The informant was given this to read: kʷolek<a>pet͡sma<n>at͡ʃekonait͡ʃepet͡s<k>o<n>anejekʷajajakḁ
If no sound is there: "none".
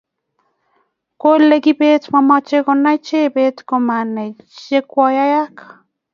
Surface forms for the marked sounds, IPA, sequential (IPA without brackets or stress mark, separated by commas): i, m, k, m